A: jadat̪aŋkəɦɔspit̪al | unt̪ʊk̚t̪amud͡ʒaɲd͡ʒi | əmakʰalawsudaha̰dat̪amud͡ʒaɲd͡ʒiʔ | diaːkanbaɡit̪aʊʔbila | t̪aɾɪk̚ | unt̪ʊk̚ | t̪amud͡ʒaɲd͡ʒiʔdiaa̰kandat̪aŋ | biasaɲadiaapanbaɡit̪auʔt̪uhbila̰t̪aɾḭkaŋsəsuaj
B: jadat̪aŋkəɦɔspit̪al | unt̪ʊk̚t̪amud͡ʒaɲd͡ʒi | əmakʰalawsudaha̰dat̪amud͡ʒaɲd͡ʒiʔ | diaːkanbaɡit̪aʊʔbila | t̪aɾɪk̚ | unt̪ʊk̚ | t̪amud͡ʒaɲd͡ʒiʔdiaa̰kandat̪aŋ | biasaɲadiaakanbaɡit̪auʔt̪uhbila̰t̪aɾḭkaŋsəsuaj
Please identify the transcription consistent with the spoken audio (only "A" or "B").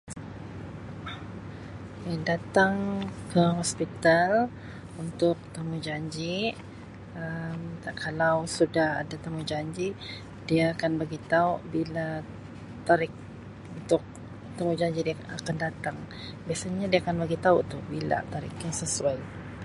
B